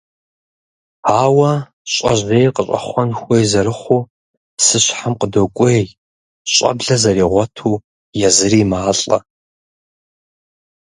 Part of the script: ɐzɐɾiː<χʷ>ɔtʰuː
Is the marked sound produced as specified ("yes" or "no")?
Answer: no